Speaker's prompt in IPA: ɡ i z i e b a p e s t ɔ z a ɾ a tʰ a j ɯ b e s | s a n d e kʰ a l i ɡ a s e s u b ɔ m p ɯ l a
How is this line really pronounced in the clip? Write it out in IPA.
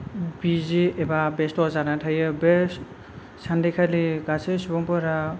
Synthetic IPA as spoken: b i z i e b a b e s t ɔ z a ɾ a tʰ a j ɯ b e s | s a n d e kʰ a l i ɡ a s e s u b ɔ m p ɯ ɾ a